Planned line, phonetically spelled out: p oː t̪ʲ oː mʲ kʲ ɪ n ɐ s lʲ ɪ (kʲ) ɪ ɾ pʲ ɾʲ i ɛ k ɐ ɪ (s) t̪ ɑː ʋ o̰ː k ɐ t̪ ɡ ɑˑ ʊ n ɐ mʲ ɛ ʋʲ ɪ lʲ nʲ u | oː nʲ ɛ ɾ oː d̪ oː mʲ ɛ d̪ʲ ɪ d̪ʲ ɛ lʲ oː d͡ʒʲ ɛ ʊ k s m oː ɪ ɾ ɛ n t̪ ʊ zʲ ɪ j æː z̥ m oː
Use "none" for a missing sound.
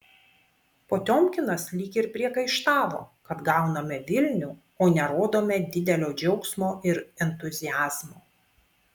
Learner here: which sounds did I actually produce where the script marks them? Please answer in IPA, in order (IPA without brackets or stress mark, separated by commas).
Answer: kʲ, ʃ